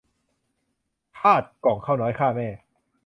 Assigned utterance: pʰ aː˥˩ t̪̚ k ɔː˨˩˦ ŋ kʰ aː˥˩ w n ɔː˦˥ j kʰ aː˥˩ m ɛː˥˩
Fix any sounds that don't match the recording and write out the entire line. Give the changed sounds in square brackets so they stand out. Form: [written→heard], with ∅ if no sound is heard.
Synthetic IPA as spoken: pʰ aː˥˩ t̪̚ k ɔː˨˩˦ ŋ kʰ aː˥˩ w n ɔː˦˥ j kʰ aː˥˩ m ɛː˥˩